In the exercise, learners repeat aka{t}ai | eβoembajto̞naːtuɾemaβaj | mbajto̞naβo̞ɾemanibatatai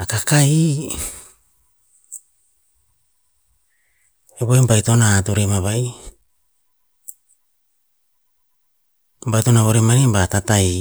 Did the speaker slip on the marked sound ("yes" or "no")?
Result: yes